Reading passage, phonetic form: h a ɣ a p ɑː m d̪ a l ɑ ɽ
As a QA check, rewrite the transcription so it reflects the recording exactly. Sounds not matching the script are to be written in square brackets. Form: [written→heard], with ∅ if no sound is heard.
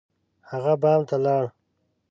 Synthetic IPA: h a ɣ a [p→b] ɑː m [d̪→t̪] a l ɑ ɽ